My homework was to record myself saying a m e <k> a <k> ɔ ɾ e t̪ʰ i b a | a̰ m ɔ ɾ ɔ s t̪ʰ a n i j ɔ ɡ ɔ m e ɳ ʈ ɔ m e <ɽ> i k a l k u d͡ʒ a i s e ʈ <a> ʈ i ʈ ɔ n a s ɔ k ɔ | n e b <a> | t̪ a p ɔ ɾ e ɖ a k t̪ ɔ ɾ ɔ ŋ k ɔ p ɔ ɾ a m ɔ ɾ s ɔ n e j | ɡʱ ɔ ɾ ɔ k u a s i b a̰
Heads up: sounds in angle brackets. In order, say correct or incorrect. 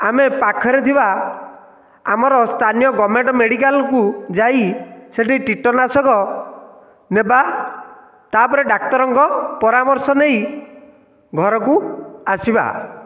incorrect: p, incorrect: kʰ, correct, incorrect: i, correct

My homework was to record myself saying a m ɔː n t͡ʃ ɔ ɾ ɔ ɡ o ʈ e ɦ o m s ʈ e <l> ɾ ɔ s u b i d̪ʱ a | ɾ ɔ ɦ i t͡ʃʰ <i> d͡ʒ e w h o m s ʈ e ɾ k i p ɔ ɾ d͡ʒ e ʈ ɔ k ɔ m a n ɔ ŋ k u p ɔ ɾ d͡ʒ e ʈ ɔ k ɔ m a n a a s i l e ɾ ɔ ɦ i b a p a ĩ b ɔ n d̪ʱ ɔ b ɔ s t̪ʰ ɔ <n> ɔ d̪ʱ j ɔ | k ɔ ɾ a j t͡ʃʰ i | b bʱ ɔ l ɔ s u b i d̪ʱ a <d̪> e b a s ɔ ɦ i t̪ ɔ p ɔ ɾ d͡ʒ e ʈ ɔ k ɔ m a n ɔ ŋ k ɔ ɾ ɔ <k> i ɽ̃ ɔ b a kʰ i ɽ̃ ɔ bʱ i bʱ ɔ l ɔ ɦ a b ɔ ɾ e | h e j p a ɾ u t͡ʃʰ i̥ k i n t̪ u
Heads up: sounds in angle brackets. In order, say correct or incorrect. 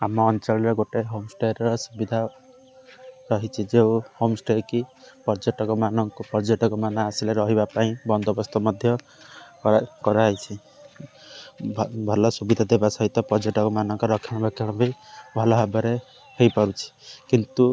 incorrect: ɾ, correct, incorrect: m, correct, incorrect: kʰ

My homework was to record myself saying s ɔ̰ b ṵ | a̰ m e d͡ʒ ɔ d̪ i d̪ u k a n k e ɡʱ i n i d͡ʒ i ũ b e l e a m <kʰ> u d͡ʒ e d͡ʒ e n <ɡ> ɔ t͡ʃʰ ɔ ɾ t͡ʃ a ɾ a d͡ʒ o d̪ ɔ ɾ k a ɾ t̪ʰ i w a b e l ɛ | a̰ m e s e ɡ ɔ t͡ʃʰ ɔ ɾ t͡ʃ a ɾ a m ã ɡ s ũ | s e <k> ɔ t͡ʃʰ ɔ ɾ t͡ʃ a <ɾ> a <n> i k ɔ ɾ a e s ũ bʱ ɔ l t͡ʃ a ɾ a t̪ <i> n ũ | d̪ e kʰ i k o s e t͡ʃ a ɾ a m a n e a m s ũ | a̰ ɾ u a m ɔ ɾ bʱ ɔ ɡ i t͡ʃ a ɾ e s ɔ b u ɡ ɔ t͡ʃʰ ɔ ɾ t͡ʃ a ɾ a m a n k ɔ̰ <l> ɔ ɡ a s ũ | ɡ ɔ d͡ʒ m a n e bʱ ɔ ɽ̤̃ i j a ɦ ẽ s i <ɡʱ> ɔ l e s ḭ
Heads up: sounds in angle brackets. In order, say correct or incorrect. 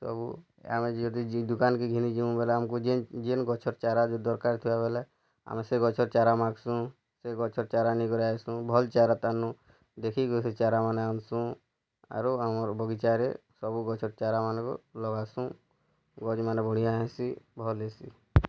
incorrect: k, correct, incorrect: ɡ, correct, correct, incorrect: a, correct, incorrect: bʱ

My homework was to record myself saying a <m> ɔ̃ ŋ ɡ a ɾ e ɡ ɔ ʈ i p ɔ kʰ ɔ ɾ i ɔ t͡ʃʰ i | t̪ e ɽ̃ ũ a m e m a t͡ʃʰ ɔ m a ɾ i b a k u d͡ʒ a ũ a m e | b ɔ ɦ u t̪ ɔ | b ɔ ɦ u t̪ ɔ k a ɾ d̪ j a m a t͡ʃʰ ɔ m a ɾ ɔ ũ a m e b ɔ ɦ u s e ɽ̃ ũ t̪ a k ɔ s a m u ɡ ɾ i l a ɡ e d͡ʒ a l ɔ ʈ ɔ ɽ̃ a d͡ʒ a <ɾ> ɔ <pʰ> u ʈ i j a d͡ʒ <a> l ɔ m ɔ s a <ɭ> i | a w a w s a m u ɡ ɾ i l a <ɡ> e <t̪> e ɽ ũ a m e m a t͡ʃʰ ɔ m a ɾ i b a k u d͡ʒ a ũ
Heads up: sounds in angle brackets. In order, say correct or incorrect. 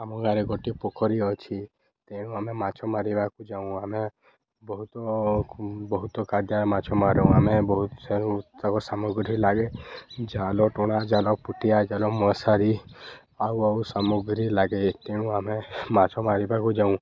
correct, incorrect: l, incorrect: p, correct, incorrect: ɾ, correct, correct

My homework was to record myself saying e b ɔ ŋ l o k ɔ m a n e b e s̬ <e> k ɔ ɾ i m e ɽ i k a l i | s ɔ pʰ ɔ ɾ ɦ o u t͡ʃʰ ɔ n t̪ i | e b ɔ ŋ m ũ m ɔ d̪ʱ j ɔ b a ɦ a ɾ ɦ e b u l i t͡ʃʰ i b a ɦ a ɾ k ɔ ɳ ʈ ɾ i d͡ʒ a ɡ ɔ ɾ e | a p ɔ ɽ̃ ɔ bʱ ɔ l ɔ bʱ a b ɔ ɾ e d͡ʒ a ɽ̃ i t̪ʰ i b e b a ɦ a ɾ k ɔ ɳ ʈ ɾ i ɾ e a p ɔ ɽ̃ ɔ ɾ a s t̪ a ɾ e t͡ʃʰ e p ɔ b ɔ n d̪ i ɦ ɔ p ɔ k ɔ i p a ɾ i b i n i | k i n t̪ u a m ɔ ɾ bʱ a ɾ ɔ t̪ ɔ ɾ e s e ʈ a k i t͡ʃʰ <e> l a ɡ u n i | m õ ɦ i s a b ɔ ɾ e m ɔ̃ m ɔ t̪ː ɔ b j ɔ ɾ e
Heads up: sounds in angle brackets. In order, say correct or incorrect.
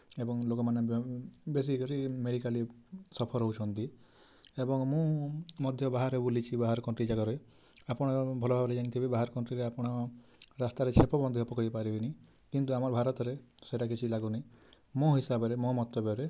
incorrect: i, incorrect: i

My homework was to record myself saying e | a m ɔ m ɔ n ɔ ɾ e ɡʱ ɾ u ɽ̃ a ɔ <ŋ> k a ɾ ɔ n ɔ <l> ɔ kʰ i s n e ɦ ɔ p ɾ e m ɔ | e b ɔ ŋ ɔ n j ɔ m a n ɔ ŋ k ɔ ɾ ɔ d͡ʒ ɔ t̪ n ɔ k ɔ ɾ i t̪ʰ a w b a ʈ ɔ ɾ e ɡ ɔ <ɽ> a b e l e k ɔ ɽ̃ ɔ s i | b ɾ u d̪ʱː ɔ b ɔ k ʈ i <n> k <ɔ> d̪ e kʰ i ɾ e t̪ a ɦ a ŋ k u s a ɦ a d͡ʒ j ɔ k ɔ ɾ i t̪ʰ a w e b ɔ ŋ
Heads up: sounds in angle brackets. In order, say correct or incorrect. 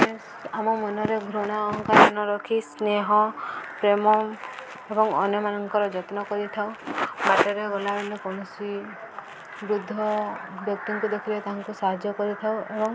correct, incorrect: ɾ, incorrect: l, incorrect: ŋ, incorrect: u

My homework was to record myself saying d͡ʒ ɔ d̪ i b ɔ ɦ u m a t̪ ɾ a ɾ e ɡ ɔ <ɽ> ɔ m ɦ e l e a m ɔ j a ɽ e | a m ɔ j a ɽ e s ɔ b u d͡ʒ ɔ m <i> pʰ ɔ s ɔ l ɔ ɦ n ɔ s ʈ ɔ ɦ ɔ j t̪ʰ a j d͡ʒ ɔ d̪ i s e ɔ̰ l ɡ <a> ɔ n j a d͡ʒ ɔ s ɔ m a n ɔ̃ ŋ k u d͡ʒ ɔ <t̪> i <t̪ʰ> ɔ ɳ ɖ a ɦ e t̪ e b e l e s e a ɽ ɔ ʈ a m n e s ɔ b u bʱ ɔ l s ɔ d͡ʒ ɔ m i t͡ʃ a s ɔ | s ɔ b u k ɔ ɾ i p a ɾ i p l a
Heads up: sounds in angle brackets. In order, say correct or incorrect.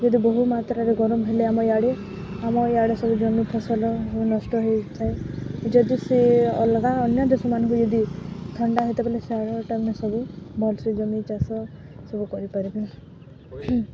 incorrect: ɾ, correct, correct, incorrect: d̪, correct

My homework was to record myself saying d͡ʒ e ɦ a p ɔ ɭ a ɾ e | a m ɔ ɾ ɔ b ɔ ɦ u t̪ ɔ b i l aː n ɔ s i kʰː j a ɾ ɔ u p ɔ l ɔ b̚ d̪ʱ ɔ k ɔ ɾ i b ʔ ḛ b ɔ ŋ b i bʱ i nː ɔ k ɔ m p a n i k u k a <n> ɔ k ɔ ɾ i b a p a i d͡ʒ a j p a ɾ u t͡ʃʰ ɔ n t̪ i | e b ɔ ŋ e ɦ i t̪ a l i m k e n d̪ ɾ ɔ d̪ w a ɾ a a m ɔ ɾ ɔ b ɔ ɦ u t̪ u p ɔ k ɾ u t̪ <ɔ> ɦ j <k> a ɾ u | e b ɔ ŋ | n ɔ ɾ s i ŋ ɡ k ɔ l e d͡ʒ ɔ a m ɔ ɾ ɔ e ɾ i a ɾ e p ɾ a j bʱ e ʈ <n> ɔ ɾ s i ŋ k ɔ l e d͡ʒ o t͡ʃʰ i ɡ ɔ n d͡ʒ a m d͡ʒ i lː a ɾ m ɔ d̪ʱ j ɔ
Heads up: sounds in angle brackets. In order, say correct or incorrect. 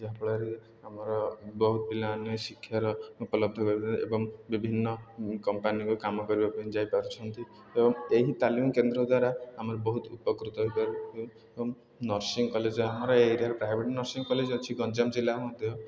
incorrect: m, correct, incorrect: p, correct

